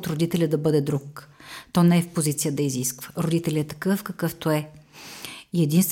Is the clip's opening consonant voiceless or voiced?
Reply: voiceless